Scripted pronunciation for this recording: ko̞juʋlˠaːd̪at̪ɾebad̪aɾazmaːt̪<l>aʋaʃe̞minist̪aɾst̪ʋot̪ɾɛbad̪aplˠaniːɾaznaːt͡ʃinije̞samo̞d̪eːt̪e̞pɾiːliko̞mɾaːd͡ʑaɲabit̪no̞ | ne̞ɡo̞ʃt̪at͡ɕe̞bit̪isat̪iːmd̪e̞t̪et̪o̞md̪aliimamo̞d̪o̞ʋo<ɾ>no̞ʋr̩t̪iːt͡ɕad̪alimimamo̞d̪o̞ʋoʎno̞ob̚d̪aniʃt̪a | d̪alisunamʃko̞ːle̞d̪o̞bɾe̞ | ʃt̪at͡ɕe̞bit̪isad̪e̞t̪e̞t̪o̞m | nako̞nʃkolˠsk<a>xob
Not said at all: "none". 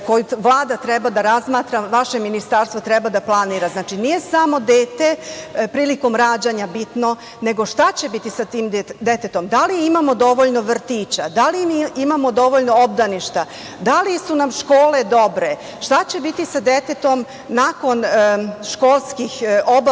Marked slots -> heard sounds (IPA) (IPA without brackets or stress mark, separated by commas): ɾ, ʎ, i